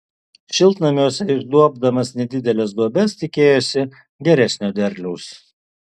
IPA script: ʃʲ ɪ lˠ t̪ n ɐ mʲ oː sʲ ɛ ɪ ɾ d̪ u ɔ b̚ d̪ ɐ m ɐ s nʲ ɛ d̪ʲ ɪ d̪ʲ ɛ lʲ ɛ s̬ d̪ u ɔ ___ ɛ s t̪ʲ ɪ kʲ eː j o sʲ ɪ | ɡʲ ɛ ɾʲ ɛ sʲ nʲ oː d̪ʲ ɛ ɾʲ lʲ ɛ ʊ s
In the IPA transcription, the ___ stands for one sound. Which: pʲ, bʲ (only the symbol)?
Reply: bʲ